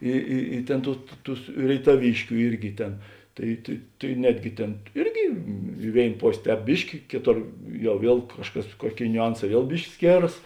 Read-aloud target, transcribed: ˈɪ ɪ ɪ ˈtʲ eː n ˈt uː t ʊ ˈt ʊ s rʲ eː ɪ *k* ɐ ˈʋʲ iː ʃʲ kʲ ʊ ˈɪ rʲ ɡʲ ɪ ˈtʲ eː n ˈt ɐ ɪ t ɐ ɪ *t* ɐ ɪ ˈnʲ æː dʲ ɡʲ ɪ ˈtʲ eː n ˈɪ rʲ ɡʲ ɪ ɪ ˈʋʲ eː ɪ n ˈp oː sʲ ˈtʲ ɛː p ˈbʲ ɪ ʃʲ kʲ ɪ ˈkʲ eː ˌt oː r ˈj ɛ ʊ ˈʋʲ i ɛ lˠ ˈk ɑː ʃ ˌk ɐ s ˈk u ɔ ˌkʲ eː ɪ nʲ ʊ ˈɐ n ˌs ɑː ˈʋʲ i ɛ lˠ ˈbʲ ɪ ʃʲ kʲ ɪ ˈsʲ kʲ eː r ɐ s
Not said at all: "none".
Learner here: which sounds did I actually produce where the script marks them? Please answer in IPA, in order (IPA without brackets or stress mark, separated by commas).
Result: t, t